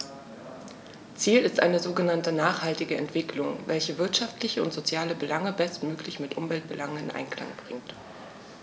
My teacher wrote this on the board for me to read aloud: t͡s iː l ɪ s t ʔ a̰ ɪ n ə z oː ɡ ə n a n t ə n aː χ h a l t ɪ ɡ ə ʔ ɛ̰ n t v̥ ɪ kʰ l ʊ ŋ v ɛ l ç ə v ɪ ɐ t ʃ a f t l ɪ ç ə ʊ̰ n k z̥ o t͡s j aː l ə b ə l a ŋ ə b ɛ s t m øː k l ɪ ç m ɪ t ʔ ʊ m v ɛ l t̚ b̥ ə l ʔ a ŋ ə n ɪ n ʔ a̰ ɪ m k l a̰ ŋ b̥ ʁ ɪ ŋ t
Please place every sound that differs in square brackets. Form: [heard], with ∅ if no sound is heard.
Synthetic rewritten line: t͡s iː l ɪ s t ʔ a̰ ɪ n ə z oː ɡ ə n a n t ə n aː χ h a l t ɪ ɡ ə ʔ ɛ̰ n t v̥ ɪ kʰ l ʊ ŋ v ɛ l ç ə v ɪ ɐ t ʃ a f t l ɪ ç ə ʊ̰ n [t] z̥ o t͡s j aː l ə b ə l a ŋ ə b ɛ s t m øː k l ɪ ç m ɪ t ʔ ʊ m v ɛ l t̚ b̥ ə l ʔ a ŋ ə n ɪ n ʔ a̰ ɪ [n] k l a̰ ŋ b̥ ʁ ɪ ŋ t